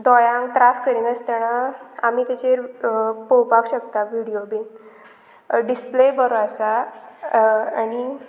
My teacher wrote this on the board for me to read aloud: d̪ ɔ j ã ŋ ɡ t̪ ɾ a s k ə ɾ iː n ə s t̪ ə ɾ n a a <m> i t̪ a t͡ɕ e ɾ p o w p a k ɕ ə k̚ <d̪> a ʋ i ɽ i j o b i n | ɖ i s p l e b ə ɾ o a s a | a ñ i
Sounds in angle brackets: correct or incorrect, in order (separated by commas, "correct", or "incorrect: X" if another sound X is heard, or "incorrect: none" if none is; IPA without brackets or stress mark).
correct, incorrect: t̪